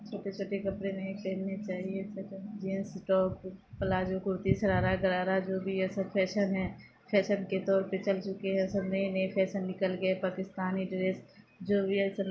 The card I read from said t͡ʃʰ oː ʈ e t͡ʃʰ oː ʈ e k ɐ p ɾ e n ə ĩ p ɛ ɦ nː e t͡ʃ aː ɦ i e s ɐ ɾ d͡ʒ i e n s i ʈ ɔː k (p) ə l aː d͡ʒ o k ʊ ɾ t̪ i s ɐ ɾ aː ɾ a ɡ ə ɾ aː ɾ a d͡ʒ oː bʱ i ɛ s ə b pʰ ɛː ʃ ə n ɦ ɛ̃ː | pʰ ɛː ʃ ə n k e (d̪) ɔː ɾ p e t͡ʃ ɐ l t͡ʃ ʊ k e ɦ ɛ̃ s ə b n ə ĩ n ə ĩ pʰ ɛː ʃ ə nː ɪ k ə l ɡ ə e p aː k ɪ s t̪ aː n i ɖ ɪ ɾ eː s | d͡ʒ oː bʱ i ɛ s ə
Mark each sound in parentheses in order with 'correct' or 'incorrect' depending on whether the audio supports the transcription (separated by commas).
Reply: correct, incorrect